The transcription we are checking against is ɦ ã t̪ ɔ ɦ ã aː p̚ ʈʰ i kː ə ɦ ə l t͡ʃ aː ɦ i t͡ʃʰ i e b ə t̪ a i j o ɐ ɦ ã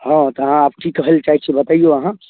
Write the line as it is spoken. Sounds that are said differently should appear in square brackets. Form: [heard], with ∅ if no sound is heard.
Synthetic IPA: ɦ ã t̪ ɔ ɦ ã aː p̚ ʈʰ i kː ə ɦ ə l t͡ʃ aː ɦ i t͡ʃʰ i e b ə t̪ a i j o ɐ ɦ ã